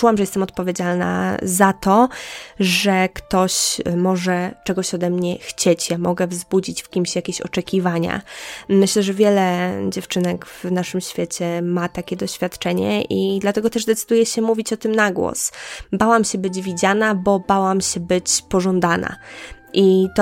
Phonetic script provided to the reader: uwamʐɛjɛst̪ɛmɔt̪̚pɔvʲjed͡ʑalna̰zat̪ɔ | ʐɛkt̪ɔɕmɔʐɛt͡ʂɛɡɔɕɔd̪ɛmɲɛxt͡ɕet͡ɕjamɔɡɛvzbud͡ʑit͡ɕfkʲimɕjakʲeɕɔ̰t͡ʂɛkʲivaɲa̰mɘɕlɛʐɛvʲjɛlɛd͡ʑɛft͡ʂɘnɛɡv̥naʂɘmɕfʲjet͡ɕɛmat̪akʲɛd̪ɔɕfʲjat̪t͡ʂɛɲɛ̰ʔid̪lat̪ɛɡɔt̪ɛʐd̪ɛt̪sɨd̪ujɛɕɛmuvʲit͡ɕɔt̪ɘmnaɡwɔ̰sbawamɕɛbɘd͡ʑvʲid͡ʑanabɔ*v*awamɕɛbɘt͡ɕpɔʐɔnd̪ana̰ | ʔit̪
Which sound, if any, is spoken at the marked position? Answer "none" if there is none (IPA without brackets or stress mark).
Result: b